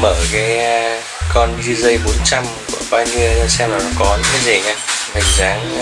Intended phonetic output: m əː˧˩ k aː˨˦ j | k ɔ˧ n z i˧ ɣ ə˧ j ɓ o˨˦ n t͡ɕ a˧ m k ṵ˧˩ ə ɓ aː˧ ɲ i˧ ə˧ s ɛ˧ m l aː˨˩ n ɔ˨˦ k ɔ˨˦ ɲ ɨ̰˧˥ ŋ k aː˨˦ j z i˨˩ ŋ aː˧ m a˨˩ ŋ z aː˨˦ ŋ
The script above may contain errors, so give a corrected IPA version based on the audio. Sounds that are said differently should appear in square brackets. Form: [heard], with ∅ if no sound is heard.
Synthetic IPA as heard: m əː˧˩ k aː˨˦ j | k ɔ˧ n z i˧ [z] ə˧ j ɓ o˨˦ n t͡ɕ a˧ m k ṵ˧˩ ə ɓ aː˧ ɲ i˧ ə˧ s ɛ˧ m l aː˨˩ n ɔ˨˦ k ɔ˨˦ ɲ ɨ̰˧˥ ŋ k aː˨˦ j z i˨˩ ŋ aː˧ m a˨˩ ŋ z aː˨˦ ŋ

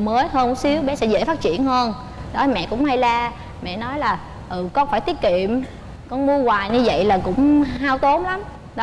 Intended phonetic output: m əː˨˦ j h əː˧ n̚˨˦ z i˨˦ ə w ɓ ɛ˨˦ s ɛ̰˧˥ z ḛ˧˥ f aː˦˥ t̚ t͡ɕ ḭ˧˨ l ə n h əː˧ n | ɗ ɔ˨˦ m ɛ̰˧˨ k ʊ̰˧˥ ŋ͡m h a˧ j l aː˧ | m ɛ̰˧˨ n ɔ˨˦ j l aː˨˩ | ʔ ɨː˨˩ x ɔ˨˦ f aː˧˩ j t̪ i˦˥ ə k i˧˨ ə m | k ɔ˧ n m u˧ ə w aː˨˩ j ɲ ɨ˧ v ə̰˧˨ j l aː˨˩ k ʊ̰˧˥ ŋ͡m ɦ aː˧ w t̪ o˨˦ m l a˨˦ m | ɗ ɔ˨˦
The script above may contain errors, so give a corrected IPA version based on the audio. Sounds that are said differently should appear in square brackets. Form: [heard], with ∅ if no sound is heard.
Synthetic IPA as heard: m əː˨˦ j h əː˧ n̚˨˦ [s] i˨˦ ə w ɓ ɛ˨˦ s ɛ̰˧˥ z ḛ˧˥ f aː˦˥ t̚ t͡ɕ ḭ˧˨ [∅] ə n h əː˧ n | ɗ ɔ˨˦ m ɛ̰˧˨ k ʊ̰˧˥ ŋ͡m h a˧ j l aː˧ | m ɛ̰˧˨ n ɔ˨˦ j l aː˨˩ | ʔ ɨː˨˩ [k] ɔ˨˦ f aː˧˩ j t̪ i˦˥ ə k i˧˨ ə m | k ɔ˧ n m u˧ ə w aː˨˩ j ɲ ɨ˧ v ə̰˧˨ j l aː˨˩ k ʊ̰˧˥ ŋ͡m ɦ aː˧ w t̪ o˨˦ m l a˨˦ m | ɗ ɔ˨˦

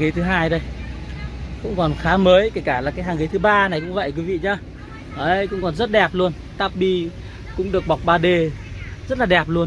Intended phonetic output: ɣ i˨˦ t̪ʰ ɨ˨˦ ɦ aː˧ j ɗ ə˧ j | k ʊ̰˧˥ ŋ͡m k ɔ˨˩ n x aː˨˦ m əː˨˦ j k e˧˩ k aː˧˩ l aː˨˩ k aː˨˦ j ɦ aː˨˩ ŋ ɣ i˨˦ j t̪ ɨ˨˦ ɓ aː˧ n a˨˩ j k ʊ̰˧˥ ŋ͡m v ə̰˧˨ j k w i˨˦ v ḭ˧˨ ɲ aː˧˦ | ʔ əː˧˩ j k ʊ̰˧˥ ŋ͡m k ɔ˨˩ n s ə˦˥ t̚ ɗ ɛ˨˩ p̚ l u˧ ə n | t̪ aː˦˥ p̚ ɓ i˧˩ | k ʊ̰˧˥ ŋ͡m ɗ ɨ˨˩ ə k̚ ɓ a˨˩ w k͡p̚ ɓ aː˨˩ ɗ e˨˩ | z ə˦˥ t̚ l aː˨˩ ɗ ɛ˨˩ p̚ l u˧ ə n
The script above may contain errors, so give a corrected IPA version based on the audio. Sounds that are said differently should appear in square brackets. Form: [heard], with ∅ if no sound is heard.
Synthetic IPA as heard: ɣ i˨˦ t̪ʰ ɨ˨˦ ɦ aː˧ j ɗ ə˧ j | k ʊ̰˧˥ ŋ͡m k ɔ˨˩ n x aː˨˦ m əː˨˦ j k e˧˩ k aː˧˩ l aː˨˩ k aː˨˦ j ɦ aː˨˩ ŋ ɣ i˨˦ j t̪ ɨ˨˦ ɓ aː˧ n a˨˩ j k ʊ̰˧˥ ŋ͡m v ə̰˧˨ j k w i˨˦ v ḭ˧˨ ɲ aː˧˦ | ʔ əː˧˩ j k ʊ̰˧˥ ŋ͡m k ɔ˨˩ n [z] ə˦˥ t̚ ɗ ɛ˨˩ p̚ l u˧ ə n | t̪ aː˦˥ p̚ ɓ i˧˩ | k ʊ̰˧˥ ŋ͡m ɗ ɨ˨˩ ə k̚ ɓ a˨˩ w k͡p̚ ɓ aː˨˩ ɗ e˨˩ | z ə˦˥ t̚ l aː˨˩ ɗ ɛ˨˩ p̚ l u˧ ə n

